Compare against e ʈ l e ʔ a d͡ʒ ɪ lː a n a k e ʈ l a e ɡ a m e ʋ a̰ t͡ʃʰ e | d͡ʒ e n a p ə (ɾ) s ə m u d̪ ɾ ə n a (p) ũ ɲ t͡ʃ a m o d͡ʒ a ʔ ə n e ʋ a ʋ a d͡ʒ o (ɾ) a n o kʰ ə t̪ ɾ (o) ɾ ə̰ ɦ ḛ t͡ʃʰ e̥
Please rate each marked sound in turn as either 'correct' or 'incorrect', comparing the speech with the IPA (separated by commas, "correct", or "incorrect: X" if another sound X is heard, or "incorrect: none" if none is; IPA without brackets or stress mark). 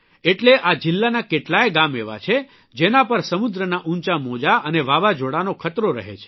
correct, incorrect: ʔ, incorrect: ɽ, correct